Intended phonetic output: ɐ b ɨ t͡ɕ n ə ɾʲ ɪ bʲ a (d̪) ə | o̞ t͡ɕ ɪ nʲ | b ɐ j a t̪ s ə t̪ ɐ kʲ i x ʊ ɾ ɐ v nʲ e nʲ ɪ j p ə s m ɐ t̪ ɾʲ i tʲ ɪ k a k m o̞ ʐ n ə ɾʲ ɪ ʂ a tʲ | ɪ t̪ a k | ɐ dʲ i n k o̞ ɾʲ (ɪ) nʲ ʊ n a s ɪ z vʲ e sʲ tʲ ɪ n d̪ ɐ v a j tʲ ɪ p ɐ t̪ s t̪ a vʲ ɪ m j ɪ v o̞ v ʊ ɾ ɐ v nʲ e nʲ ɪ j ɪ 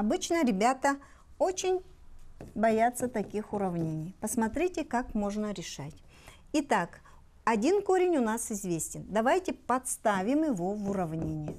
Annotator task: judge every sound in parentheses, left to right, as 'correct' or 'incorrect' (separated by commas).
incorrect, correct